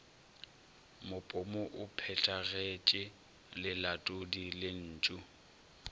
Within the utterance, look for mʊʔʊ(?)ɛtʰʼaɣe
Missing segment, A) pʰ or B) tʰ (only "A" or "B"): A